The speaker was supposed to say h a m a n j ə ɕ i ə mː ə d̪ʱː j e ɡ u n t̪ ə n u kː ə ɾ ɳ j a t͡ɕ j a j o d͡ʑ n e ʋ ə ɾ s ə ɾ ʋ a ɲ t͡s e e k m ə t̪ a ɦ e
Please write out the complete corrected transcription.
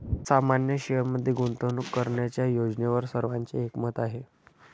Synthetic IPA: s a m a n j ə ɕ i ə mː ə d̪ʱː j e ɡ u n t̪ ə n u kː ə ɾ ɳ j a t͡ɕ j a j o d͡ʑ n e ʋ ə ɾ s ə ɾ ʋ a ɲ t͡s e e k m ə t̪ a ɦ e